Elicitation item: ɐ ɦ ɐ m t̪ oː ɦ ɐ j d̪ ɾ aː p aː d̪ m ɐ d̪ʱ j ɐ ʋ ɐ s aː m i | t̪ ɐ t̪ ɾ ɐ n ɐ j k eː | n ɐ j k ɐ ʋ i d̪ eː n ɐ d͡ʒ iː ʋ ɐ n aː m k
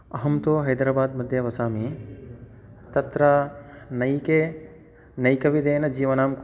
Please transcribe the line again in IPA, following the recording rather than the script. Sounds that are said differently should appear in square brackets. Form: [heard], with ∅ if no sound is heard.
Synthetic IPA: ɐ ɦ ɐ m t̪ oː ɦ ɐ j d̪ ɾ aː [b] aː d̪ m ɐ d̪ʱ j ɐ ʋ ɐ s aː m i | t̪ ɐ t̪ ɾ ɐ n ɐ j k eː | n ɐ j k ɐ ʋ i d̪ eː n ɐ d͡ʒ iː ʋ ɐ n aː m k